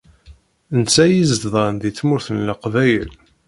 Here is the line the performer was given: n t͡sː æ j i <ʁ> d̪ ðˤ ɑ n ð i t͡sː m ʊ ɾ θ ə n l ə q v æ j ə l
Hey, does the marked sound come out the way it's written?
no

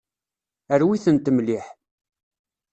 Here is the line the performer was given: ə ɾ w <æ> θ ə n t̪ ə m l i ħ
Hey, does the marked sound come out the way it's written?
no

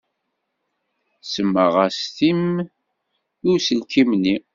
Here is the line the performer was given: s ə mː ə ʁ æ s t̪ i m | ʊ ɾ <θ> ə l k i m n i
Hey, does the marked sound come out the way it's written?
no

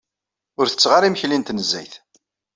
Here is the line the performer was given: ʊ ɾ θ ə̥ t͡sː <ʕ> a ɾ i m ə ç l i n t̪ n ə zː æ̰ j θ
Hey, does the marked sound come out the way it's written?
no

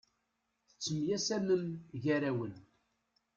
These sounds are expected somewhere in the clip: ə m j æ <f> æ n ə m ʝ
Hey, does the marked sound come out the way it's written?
no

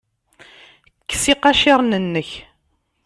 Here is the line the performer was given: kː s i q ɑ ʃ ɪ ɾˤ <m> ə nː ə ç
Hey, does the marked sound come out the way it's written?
no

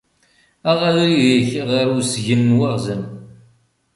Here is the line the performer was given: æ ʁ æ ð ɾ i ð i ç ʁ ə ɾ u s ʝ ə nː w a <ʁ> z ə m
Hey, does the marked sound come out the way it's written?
yes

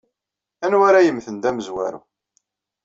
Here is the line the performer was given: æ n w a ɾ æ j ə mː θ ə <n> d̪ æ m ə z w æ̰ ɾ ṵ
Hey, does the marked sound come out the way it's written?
yes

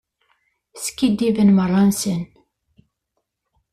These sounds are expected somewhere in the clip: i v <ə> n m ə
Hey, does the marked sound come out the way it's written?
yes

